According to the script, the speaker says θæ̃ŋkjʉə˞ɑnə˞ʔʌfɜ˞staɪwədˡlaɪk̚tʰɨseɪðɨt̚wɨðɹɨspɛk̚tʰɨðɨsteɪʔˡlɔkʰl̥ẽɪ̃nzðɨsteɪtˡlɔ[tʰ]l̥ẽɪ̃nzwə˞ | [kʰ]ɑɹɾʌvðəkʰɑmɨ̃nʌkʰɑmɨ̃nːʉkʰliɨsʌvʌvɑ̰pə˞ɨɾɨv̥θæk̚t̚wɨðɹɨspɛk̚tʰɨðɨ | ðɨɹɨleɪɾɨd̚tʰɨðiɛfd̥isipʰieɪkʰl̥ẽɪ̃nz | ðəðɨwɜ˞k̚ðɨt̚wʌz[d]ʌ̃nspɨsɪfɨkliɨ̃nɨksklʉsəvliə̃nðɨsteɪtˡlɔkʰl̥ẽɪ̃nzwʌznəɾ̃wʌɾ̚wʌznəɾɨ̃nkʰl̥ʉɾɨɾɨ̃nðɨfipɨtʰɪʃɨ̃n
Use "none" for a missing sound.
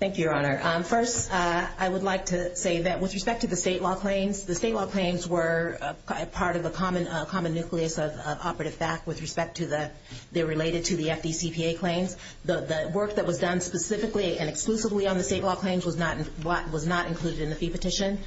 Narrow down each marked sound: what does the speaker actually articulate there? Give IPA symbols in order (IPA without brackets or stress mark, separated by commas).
kʰ, pʰ, d